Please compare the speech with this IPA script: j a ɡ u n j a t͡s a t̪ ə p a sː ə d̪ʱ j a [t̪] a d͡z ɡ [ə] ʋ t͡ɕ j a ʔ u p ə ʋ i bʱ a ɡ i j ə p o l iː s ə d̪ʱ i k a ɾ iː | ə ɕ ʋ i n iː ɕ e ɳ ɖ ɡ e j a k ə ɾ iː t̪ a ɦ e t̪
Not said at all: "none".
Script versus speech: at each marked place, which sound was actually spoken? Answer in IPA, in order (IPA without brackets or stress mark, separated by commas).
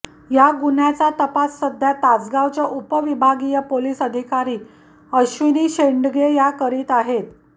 t̪, a